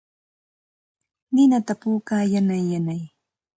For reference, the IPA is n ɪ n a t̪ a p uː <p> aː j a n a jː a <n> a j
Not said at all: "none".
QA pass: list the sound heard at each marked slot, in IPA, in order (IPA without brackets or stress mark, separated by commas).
k, n